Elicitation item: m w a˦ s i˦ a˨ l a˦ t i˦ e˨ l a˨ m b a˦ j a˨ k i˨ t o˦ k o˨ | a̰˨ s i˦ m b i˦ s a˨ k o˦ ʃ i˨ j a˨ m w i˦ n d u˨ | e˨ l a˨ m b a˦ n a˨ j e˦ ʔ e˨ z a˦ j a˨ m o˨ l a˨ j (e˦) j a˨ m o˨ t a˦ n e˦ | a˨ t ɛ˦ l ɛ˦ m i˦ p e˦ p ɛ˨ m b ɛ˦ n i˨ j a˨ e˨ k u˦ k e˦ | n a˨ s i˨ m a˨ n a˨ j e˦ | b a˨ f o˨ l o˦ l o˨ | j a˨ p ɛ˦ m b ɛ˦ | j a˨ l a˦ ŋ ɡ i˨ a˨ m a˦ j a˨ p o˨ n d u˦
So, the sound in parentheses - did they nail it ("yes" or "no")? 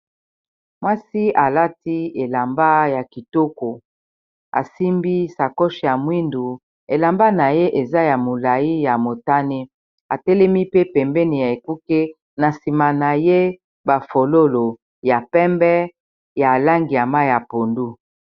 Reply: no